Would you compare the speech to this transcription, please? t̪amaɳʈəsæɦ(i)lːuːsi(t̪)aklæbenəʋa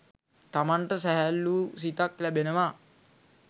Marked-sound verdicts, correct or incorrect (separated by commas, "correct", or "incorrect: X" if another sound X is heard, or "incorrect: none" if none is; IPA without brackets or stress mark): incorrect: æ, correct